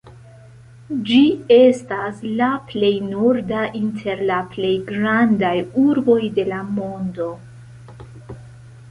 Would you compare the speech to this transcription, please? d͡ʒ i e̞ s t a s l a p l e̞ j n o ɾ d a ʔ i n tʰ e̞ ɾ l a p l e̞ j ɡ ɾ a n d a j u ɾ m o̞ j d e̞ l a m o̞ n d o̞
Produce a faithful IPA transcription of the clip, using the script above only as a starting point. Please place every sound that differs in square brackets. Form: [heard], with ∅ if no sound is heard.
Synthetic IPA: d͡ʒ i e̞ s t a s l a p l e̞ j n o ɾ d a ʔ i n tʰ e̞ ɾ l a p l e̞ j ɡ ɾ a n d a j u ɾ [b] o̞ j d e̞ l a m o̞ n d o̞